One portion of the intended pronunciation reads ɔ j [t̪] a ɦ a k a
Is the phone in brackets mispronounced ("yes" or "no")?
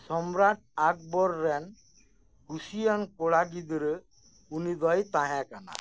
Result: no